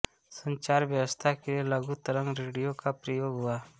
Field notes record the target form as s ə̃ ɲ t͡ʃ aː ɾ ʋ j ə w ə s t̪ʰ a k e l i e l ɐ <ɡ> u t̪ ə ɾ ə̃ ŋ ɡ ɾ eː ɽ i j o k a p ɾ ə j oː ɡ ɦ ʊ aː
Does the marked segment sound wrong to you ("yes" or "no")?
no